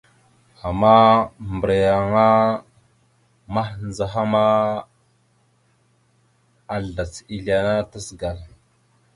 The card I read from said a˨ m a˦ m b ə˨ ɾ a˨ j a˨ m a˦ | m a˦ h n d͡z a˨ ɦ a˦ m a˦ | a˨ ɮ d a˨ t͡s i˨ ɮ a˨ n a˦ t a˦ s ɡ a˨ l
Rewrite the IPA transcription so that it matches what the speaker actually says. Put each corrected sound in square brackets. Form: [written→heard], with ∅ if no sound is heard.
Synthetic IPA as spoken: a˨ m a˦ m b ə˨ ɾ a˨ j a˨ [m→ŋ] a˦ | m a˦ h n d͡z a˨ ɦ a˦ m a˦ | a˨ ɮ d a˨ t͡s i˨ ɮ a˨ n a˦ t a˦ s ɡ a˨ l